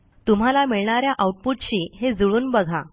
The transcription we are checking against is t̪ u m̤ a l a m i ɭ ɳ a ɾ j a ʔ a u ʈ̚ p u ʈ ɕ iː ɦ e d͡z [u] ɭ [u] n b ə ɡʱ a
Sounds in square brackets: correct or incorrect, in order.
correct, incorrect: uː

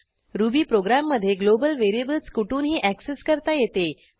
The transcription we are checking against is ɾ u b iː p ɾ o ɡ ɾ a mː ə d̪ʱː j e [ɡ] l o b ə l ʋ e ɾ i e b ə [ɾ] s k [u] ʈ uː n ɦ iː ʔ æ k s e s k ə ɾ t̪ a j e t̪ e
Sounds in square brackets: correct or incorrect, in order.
correct, incorrect: l, correct

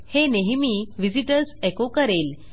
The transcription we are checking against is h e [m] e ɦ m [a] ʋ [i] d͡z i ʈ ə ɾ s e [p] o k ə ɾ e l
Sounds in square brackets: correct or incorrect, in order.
incorrect: n, incorrect: i, correct, incorrect: k

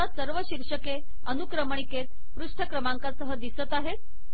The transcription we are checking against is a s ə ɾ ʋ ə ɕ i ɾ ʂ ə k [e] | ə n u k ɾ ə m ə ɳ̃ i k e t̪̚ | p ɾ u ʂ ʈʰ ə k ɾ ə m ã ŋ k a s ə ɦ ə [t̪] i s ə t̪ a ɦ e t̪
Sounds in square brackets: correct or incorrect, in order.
correct, incorrect: d̪

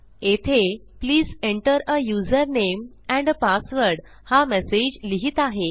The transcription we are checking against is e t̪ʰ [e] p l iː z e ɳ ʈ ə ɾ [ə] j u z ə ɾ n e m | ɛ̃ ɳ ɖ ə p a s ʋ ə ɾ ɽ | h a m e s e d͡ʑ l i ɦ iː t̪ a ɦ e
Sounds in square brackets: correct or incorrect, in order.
correct, correct

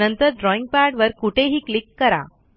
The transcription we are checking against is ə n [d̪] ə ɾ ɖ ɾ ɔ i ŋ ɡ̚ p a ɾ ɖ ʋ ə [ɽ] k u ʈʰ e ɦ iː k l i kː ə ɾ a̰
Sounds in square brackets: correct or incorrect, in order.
incorrect: t̪, incorrect: ɾ

